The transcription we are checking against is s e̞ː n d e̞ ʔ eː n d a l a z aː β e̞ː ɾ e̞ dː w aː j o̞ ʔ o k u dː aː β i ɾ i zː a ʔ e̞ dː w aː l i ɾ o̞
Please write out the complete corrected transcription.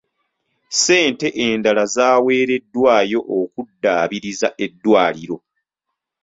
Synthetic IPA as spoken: s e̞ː n t e̞ ʔ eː n d a l a z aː w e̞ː ɾ e̞ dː w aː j o̞ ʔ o k u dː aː β i ɾ i z a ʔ e̞ dː w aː l i ɾ o̞